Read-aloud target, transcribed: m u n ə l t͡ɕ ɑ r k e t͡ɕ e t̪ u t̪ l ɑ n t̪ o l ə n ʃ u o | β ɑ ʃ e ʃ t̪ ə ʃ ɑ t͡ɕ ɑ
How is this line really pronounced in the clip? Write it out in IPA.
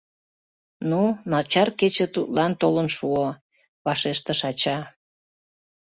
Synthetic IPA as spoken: n u n ɑ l t͡ɕ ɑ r k e t͡ɕ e t̪ u t̪ l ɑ n t̪ o l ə n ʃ u o | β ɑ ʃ e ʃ t̪ ə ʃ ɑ t͡ɕ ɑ